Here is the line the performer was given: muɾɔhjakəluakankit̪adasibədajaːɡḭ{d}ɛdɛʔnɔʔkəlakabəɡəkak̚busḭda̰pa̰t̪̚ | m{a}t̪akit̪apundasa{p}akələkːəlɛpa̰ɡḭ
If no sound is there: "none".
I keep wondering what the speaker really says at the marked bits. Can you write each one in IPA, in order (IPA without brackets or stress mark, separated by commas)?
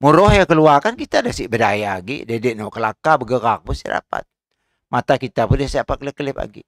d, a, p